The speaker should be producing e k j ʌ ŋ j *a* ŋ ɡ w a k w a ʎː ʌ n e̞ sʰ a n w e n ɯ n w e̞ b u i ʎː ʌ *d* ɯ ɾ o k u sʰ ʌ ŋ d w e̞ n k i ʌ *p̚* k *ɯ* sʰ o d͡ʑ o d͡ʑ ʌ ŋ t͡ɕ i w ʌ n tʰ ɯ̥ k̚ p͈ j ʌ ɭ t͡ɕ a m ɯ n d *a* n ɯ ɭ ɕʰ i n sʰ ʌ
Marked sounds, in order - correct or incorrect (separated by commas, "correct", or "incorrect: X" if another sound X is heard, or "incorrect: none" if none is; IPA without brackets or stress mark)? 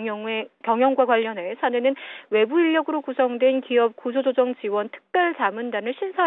incorrect: ʌ, incorrect: ɡ, correct, incorrect: u, correct